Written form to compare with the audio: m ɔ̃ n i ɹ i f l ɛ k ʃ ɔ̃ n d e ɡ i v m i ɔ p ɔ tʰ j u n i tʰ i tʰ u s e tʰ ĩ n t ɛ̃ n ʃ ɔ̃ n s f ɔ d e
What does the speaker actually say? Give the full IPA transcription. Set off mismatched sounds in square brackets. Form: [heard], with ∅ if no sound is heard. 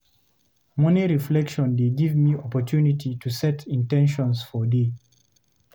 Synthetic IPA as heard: m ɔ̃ n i ɹ i f l ɛ k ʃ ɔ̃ n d e ɡ i v m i ɔ p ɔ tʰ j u n i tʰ i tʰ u s [ɛ] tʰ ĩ n t ɛ̃ n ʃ ɔ̃ n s f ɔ d e